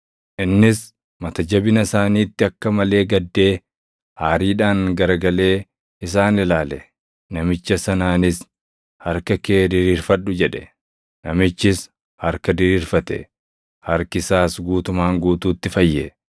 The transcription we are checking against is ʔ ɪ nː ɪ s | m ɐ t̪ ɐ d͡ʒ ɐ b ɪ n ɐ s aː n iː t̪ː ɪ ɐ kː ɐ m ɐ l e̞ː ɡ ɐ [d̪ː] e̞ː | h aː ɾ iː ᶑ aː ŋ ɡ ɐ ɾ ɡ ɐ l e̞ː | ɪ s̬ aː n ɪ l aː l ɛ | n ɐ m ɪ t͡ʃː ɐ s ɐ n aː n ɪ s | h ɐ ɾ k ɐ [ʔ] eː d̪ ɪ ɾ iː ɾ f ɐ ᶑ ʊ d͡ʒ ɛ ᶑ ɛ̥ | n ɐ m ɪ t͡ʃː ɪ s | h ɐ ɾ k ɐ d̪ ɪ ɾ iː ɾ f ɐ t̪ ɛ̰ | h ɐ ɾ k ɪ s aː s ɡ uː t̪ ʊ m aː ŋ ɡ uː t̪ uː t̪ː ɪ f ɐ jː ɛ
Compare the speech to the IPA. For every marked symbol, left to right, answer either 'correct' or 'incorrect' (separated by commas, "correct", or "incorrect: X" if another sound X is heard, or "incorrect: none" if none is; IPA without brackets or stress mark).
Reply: correct, incorrect: k